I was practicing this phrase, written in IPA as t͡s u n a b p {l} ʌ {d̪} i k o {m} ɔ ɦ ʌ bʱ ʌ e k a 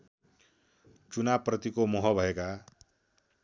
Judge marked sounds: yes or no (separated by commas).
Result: no, no, yes